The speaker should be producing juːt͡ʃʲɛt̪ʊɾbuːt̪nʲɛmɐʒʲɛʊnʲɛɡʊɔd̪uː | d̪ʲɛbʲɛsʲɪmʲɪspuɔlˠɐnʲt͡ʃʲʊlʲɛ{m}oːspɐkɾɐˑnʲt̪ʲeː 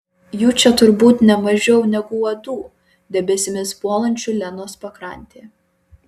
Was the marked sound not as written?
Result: yes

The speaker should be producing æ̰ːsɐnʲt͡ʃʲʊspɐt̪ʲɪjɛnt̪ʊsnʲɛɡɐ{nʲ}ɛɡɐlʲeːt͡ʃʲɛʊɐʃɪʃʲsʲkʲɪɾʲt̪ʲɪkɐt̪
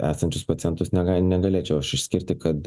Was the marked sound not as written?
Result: no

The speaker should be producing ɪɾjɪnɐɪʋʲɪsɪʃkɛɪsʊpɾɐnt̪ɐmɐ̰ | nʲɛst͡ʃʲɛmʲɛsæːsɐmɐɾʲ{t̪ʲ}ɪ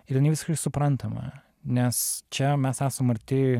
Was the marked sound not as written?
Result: no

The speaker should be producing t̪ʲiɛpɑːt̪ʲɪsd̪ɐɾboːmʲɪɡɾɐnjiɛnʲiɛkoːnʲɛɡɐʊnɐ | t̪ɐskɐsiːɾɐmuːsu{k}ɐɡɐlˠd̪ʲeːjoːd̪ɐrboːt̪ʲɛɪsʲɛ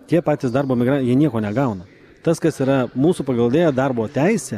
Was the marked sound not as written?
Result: yes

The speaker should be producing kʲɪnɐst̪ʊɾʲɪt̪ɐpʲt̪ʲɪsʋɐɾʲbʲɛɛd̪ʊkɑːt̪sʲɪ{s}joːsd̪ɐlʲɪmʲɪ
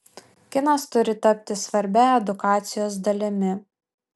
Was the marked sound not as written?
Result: yes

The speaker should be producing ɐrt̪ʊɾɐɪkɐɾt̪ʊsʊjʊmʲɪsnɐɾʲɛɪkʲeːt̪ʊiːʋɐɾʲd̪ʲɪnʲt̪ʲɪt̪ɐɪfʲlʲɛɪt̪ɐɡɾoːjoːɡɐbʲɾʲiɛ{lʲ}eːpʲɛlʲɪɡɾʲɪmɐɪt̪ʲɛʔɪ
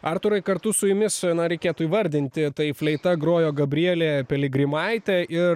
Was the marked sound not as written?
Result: no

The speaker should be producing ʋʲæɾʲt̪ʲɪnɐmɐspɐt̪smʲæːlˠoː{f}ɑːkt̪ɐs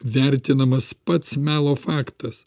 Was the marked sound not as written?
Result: no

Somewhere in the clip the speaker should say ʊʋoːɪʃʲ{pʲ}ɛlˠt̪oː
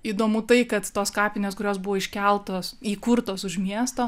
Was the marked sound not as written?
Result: yes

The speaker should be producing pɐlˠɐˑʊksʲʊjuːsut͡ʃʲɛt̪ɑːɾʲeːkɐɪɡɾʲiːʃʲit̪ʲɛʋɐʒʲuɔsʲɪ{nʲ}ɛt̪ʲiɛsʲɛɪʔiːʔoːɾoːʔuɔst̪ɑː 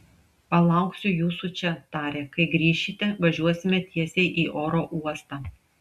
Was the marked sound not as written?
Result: yes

